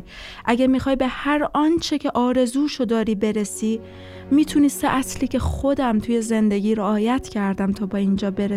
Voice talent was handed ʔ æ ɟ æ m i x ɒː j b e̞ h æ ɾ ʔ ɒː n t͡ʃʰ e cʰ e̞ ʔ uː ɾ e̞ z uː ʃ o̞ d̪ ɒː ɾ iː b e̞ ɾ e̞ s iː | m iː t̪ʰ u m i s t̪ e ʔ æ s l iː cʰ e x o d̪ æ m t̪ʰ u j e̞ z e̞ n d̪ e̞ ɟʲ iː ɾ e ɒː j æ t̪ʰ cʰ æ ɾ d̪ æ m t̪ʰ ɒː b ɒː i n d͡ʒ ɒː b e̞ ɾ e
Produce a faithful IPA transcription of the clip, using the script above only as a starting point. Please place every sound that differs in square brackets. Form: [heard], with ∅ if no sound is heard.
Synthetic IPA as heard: ʔ æ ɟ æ m i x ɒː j b e̞ h æ ɾ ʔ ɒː n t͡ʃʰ e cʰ e̞ ʔ [ɒː] ɾ e̞ z uː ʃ o̞ d̪ ɒː ɾ iː b e̞ ɾ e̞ s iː | m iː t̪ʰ u [n] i s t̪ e ʔ æ s l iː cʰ e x o d̪ æ m t̪ʰ u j e̞ z e̞ n d̪ e̞ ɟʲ iː ɾ e ɒː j æ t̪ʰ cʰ æ ɾ d̪ æ m t̪ʰ ɒː b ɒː i n d͡ʒ ɒː b e̞ ɾ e